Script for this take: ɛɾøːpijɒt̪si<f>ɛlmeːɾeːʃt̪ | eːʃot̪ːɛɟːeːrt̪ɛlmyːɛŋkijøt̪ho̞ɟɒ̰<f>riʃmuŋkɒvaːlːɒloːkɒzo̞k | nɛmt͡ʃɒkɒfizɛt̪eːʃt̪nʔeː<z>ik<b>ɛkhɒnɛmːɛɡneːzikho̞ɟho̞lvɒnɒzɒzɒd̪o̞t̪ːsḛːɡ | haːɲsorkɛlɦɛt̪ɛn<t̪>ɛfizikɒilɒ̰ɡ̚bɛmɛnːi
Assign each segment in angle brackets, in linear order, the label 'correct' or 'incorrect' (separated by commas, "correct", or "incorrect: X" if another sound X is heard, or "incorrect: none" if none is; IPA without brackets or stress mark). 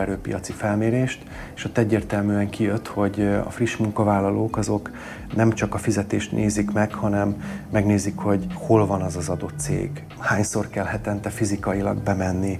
correct, correct, correct, incorrect: m, correct